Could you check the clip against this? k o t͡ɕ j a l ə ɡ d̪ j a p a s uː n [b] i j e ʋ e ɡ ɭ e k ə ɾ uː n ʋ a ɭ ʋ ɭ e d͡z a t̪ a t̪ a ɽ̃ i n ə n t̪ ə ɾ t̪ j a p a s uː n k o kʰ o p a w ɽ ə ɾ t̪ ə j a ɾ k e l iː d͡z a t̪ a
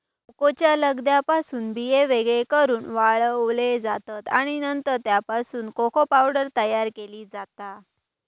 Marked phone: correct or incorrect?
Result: correct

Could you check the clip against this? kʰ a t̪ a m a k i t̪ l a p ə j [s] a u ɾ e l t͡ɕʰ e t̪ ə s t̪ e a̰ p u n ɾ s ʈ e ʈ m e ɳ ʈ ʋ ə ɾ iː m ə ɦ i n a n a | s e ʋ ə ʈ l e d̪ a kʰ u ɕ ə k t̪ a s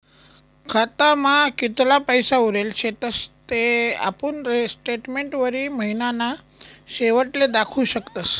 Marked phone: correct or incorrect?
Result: correct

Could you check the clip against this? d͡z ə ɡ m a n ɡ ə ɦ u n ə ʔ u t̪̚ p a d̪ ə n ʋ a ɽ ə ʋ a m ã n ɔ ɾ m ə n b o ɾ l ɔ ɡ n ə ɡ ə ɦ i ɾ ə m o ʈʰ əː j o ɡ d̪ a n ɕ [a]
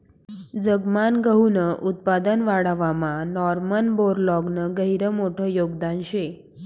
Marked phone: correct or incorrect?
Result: incorrect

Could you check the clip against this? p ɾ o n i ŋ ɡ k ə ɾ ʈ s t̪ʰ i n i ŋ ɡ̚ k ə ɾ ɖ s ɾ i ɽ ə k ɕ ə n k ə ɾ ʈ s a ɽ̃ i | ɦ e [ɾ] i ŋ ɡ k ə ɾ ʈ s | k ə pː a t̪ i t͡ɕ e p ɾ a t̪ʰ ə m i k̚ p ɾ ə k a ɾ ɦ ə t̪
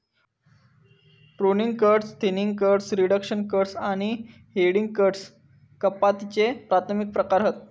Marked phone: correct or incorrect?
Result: incorrect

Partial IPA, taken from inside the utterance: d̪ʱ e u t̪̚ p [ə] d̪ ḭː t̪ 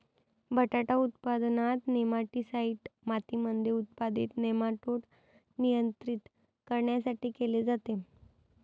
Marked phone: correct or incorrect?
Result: incorrect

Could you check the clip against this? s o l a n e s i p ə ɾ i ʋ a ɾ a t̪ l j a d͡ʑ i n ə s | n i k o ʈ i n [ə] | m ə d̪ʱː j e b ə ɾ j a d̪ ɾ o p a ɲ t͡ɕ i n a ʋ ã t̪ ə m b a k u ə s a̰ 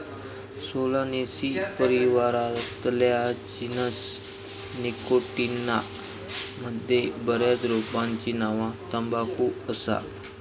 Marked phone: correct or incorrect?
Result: incorrect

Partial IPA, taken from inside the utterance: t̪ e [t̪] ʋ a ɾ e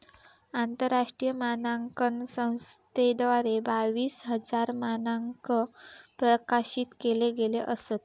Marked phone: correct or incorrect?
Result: incorrect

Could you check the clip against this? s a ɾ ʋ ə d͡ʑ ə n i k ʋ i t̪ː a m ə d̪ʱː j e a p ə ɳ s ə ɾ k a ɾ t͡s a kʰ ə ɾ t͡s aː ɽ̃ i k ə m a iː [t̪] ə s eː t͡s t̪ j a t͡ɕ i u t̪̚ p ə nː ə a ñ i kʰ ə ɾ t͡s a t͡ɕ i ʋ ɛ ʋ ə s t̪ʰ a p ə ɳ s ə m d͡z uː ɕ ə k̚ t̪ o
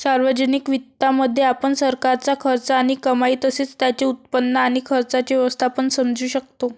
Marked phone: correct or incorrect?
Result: correct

